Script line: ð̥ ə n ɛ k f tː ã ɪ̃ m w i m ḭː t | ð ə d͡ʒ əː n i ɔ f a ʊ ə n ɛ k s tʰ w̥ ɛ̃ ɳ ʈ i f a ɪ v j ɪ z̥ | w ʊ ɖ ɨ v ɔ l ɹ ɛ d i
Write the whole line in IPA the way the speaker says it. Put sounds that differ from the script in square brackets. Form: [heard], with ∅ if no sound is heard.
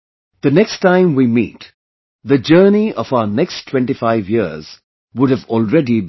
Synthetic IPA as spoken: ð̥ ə n ɛ k [s] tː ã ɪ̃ m w i m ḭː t | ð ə d͡ʒ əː n i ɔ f a ʊ ə n ɛ k s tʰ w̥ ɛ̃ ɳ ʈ i f a ɪ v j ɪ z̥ | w ʊ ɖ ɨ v ɔ l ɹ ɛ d i